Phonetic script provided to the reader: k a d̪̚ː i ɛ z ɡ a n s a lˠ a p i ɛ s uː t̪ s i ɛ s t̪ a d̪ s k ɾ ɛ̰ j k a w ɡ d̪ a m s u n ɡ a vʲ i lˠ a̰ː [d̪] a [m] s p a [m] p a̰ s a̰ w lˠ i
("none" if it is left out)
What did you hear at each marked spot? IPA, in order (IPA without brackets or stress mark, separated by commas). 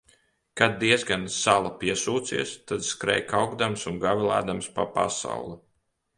d̪, m, none